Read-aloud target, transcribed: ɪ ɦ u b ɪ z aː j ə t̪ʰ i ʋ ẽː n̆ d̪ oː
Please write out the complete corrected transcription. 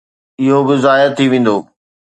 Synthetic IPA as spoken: ɪ ɦ o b ɪ z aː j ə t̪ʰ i ʋ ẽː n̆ d̪ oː